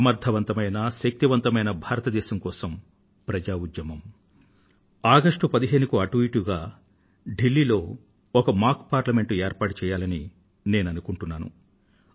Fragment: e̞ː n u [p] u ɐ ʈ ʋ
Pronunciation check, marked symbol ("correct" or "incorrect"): incorrect